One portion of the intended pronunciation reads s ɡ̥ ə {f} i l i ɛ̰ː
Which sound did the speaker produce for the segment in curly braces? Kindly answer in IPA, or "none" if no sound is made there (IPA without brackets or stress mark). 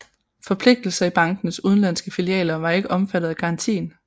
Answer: f